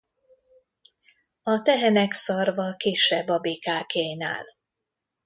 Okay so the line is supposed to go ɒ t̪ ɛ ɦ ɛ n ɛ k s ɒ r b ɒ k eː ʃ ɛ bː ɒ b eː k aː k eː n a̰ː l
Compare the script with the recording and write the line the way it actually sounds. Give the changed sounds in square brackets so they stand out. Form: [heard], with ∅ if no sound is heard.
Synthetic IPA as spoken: ɒ t̪ ɛ ɦ ɛ n ɛ k s ɒ r [v] ɒ k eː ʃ ɛ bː ɒ b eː k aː k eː n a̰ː l